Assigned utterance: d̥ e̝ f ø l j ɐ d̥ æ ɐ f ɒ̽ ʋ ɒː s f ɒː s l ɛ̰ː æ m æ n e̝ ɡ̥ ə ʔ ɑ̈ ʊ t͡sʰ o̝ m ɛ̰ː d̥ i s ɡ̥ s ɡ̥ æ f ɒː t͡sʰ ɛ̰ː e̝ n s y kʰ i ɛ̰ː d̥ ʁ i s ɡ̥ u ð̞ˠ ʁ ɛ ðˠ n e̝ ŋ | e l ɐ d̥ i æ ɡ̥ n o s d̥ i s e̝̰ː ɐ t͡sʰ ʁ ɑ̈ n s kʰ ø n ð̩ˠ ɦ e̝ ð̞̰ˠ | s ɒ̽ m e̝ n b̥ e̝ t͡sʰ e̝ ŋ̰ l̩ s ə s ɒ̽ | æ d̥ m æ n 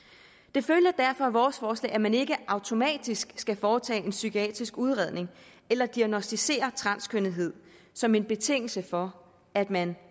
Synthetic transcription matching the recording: d̥ e̝ f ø l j ɐ d̥ æ ɐ f ɒ̽ ʋ ɒː s f ɒː s l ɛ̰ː æ m æ n e̝ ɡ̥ ə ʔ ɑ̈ ʊ t͡sʰ o̝ m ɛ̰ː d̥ i s ɡ̥ s ɡ̥ æ f ɒː t͡sʰ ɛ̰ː e̝ n s y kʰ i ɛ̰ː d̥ ʁ i s ɡ̥ u ð̞ˠ ʁ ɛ ðˠ n e̝ ŋ | e l ɐ d̥ i æ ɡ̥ n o s d̥ i s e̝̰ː ɐ t͡sʰ ʁ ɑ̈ n s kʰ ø n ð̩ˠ ɦ e̝ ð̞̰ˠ | s ɒ̽ m e̝ n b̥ e̝ t͡sʰ e̝ ŋ̰ l̩ s ə f ɒ̽ | æ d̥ m æ n